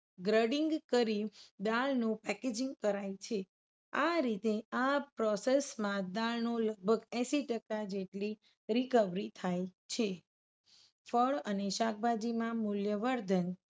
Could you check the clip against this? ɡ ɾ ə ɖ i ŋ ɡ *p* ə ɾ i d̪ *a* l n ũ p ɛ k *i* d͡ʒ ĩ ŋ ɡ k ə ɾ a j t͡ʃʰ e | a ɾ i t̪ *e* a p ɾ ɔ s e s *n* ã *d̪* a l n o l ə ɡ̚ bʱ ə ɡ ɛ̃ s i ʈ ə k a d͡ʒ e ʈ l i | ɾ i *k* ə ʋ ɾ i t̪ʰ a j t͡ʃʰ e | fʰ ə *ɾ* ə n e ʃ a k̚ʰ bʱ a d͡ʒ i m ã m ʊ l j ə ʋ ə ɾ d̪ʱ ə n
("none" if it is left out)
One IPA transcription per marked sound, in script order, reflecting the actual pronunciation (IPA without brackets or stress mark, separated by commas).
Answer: k, a, e, e, m, d̪, k, ɭ